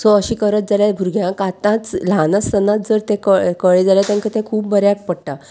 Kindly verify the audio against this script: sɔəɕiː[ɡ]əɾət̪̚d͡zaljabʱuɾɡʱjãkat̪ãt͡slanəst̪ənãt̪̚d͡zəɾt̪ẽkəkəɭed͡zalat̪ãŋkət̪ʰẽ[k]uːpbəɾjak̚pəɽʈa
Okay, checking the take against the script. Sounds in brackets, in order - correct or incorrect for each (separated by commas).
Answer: incorrect, incorrect